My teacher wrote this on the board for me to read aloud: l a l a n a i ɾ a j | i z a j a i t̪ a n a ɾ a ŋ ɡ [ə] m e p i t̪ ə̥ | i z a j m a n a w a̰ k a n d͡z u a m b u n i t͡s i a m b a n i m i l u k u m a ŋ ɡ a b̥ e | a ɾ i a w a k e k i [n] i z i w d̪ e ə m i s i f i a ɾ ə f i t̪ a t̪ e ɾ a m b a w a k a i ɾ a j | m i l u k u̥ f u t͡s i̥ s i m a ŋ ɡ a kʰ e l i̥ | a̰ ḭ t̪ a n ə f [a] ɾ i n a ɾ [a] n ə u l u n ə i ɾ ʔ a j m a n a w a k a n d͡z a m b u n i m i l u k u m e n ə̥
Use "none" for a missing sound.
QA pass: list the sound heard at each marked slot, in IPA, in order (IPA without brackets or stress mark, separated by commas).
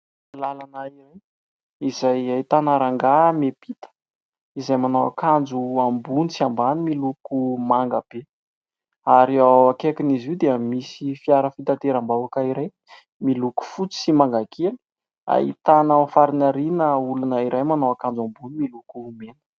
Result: a, n, a, i